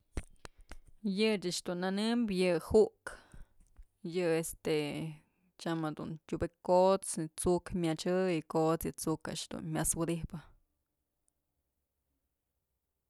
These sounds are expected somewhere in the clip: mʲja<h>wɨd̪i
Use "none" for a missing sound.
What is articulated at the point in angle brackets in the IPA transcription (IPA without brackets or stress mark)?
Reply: s